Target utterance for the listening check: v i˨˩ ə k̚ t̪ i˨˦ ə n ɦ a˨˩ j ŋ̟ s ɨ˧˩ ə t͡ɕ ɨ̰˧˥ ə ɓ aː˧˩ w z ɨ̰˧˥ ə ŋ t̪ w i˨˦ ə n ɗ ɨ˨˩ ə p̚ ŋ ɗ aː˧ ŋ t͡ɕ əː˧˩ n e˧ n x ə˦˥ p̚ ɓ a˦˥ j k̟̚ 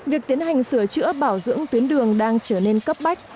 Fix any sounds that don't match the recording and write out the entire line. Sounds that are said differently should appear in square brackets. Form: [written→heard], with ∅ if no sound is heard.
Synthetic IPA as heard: v i˨˩ ə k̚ t̪ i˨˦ ə n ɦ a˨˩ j ŋ̟ s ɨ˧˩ ə t͡ɕ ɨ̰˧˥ ə ɓ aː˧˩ w z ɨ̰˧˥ ə ŋ t̪ w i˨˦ ə n ɗ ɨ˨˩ ə [p̚→∅] ŋ ɗ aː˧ ŋ t͡ɕ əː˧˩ n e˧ n [x→k] ə˦˥ p̚ ɓ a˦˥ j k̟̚